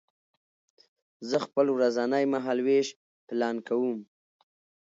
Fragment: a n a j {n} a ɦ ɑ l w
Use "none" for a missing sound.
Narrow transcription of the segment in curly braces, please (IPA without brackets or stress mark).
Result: m